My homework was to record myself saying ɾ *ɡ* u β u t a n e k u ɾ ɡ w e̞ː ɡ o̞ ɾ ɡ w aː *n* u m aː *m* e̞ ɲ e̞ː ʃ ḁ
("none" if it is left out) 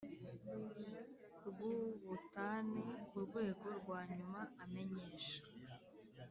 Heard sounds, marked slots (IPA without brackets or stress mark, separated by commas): ɡ, ɲ, m